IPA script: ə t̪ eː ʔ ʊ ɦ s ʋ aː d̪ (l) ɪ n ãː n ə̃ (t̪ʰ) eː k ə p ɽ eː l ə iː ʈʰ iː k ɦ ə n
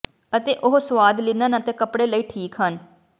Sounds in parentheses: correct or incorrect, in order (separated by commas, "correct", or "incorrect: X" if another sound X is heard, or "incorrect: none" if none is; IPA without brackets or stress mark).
correct, incorrect: t̪